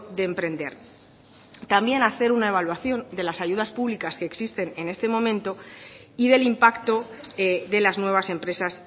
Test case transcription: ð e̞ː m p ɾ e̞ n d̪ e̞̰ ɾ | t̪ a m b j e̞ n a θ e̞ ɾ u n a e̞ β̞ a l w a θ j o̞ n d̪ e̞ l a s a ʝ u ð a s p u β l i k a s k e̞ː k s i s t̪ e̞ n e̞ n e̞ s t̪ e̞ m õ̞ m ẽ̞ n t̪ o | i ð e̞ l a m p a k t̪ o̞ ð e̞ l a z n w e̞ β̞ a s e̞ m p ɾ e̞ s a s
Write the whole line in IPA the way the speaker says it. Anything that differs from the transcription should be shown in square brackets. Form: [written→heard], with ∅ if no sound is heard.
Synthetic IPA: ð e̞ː m p ɾ e̞ n d̪ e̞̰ ɾ | t̪ a m b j e̞ n a θ e̞ ɾ u n a e̞ β̞ a l w a θ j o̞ n d̪ e̞ l a s a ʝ u ð a s p u β l i k a s k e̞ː k s i s t̪ e̞ n e̞ n e̞ s t̪ e̞ m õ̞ m ẽ̞ n t̪ o | i ð e̞ l [a→i] m p a k t̪ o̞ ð e̞ l a z n w e̞ β̞ a s e̞ m p ɾ e̞ s a s